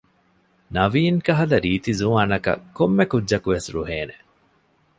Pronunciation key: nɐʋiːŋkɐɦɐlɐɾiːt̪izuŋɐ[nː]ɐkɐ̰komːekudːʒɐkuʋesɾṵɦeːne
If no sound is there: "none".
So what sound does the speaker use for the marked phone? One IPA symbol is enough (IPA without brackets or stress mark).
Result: n